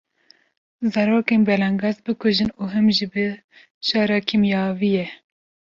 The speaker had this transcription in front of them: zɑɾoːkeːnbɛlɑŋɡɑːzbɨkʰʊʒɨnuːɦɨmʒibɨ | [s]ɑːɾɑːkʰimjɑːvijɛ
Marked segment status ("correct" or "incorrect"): incorrect